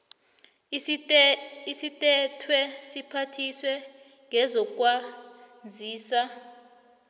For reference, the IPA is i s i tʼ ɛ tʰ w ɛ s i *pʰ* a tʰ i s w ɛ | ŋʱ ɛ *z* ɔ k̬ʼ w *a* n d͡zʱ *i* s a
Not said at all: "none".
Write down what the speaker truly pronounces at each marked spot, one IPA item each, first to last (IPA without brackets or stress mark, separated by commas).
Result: pʰ, z, a, iː